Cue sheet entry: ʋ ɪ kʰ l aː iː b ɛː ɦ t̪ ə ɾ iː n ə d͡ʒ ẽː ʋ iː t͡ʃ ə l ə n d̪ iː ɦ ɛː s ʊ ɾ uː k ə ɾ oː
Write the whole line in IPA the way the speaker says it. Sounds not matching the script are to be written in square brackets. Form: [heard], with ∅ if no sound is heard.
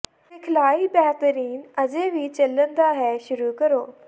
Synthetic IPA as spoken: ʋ ɪ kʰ l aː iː b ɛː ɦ t̪ ə ɾ iː n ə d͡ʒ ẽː ʋ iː t͡ʃ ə l ə n d̪ [aː] ɦ ɛː [ʃ] ʊ ɾ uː k ə ɾ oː